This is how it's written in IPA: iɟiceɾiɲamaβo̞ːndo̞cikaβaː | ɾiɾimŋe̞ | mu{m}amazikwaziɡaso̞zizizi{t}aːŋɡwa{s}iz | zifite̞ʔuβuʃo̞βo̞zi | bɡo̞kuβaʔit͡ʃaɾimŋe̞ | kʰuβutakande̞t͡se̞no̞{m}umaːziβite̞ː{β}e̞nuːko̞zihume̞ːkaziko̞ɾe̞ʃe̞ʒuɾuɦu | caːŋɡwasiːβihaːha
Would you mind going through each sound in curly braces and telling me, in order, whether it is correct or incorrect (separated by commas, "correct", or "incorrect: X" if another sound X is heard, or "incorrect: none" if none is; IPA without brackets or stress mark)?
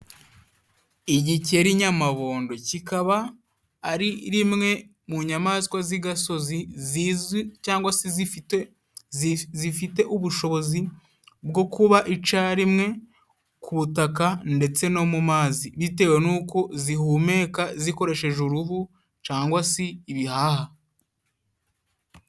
incorrect: ɲ, incorrect: c, correct, correct, incorrect: w